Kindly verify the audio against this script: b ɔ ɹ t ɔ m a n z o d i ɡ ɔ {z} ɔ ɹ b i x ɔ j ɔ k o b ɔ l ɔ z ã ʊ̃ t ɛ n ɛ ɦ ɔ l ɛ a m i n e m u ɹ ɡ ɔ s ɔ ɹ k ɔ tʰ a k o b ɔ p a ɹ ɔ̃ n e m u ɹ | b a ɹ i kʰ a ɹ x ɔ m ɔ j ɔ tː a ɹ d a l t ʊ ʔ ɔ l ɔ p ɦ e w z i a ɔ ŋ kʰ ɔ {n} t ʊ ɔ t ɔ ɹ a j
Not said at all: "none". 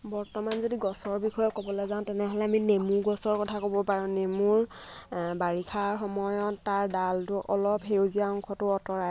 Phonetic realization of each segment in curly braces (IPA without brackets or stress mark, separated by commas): s, none